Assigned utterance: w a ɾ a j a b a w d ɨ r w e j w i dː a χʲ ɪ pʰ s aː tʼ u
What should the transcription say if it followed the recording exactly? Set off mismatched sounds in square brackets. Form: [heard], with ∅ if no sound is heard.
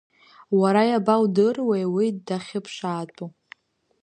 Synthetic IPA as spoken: w a ɾ a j a b a w d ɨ r w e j w i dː a χʲ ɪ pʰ [ʂ] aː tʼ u